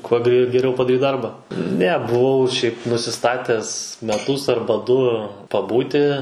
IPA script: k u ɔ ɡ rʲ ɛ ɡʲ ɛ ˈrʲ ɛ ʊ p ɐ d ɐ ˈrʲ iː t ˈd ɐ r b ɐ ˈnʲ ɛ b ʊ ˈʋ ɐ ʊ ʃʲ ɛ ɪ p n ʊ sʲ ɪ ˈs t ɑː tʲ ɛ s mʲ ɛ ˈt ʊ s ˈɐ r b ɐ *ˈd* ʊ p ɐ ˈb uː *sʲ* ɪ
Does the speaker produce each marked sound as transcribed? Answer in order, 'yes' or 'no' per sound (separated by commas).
yes, no